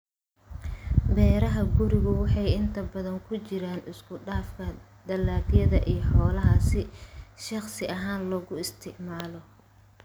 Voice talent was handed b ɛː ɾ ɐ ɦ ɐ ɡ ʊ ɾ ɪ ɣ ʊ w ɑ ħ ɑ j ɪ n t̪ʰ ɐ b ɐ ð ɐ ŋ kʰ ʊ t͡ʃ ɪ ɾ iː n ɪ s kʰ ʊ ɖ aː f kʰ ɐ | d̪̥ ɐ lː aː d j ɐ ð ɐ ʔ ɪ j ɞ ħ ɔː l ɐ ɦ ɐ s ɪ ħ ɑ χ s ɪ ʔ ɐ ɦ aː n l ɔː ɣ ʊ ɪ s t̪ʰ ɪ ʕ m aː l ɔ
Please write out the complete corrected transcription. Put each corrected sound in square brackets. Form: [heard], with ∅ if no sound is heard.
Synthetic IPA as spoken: b ɛː ɾ ɐ ɦ ɐ ɡ ʊ ɾ ɪ ɣ ʊ w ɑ ħ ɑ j ɪ n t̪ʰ ɐ b ɐ ð ɐ ŋ kʰ ʊ t͡ʃ ɪ ɾ [aː] n ɪ s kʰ ʊ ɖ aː f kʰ ɐ | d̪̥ ɐ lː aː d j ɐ ð ɐ ʔ [i] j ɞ ħ ɔː l ɐ ɦ ɐ s ɪ [ʃ] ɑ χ s ɪ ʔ ɐ ɦ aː n l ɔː ɣ ʊ ɪ s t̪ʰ ɪ ʕ m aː l ɔ